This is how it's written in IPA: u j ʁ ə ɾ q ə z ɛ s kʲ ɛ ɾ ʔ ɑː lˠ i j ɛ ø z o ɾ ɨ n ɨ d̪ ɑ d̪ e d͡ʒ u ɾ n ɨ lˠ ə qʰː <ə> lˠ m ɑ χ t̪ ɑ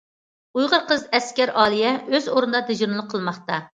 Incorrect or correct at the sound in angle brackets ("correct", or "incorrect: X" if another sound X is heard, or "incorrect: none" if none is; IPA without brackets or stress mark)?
correct